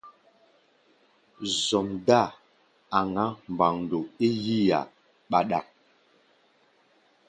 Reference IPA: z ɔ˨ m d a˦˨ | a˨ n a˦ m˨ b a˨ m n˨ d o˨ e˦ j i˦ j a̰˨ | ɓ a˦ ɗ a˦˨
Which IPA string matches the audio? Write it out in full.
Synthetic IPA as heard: z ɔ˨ m d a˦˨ | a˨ ŋ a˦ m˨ b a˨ ŋ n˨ d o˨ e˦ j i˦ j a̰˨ | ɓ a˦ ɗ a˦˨